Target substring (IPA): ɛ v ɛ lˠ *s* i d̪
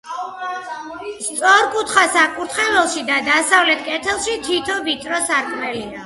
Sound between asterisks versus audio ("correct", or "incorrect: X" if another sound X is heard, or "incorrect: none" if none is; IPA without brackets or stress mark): incorrect: ʃ